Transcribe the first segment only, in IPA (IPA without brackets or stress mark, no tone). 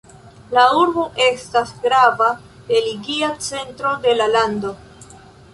l